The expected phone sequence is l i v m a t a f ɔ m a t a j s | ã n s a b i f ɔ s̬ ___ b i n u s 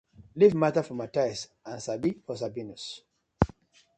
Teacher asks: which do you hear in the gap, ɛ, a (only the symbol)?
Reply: a